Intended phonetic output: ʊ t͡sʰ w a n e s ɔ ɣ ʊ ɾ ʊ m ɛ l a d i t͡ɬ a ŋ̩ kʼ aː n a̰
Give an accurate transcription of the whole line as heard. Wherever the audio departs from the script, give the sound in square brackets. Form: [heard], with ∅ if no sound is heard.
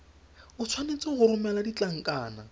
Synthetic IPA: ʊ t͡sʰ w a n e [t͡s] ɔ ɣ ʊ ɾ ʊ m ɛ l a d i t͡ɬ a ŋ̩ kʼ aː n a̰